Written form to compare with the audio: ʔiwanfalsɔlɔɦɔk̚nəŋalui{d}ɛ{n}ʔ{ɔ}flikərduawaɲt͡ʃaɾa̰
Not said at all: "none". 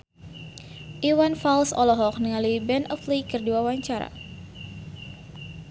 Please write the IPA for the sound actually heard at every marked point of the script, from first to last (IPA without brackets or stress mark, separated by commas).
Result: b, n, ɔ